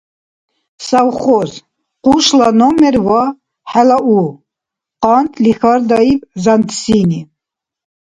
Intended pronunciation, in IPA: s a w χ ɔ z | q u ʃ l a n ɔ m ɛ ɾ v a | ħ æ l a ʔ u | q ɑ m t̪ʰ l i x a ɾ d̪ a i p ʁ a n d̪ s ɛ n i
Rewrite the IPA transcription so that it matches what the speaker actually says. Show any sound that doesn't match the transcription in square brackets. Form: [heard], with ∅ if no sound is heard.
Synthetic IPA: s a w χ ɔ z | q u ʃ l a n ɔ m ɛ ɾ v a | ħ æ l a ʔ u | q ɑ [n] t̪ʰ l i x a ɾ d̪ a i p [z] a n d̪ s [i] n i